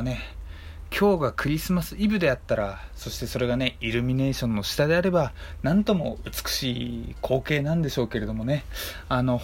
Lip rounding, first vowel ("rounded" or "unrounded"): unrounded